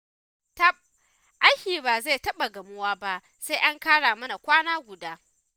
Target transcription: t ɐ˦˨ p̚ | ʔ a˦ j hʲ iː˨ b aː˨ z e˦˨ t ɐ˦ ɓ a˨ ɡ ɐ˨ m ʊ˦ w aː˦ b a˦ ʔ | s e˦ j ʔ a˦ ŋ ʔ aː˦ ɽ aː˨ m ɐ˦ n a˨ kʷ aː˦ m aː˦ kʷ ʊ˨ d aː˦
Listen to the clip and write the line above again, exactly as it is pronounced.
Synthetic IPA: t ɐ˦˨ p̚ | ʔ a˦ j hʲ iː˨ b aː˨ z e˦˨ t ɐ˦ ɓ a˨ ɡ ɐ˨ m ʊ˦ w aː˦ b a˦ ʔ | s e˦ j ʔ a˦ ŋ k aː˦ ɽ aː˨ m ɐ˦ n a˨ kʷ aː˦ n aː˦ ɡʷ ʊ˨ d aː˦